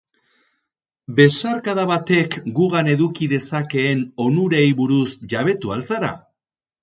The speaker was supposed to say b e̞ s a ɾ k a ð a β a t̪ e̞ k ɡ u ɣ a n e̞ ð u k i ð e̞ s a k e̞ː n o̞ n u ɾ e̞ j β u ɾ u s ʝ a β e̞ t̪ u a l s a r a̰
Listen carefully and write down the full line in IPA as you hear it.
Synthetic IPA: b e̞ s a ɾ k a ð a β a t̪ e̞ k ɡ u ɣ a n e̞ ð u k i ð e̞ s a k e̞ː n o̞ n u ɾ e̞ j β u ɾ u s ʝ a β e̞ t̪ u a l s a ɾ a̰